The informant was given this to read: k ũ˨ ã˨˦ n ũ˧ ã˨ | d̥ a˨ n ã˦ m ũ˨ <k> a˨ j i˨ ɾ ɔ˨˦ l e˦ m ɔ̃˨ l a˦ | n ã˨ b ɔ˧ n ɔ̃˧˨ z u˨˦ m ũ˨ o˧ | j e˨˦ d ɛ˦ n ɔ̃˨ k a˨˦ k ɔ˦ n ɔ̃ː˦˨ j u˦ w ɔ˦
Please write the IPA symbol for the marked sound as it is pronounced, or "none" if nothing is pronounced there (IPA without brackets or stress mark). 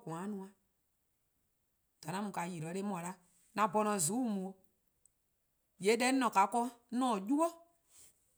k